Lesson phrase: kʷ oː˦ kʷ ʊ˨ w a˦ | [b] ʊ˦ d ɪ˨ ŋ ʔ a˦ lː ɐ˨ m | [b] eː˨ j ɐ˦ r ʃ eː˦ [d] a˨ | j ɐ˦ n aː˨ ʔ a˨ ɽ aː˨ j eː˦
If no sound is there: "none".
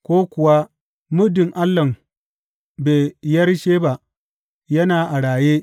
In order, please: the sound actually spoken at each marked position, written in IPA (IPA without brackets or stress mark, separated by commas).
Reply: m, b, b